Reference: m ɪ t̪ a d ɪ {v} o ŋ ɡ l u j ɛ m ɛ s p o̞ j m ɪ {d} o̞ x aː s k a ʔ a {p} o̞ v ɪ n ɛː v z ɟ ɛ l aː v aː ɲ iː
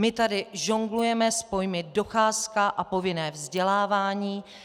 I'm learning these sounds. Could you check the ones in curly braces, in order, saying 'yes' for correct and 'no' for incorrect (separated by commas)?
no, yes, yes